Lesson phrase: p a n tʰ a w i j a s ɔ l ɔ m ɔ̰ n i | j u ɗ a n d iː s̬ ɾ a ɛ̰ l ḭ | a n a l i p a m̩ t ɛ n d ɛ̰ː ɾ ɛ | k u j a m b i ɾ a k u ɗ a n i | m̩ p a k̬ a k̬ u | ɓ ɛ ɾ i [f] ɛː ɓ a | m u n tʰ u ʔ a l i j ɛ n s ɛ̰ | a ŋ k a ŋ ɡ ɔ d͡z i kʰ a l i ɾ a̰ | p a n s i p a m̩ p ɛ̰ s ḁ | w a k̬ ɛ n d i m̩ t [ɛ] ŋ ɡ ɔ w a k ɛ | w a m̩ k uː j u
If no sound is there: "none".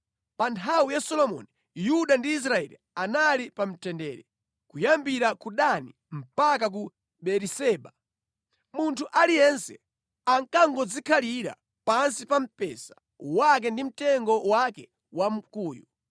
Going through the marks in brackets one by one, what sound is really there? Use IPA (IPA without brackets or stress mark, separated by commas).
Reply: s, ɛ